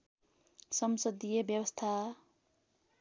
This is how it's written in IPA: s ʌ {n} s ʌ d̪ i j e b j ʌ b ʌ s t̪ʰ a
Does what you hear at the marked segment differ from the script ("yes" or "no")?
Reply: yes